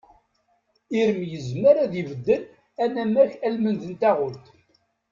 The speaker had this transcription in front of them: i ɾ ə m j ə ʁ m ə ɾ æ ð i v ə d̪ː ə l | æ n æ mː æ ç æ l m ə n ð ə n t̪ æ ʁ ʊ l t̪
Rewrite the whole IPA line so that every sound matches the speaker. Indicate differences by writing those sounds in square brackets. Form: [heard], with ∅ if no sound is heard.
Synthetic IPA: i ɾ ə m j ə [z] m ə ɾ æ ð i v ə d̪ː ə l | æ n æ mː æ ç æ l m ə n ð ə n t̪ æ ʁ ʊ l t̪